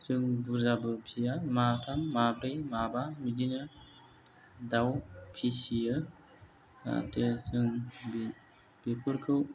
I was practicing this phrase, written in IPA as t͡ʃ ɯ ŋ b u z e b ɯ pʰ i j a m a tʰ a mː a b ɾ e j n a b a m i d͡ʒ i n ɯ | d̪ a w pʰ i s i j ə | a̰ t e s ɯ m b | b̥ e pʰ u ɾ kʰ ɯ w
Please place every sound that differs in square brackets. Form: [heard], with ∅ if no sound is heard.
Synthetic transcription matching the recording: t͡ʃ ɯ ŋ b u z [a] b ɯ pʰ i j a m a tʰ a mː a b ɾ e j [m] a b a m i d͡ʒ i n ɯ | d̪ a w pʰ i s i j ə | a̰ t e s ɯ [ŋ] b | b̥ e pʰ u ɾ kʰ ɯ w